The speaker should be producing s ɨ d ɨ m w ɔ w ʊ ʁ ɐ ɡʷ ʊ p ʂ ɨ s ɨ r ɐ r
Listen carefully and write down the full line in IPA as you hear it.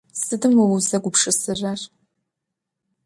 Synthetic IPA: s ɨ d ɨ m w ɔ w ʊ z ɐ ɡʷ ʊ p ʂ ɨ s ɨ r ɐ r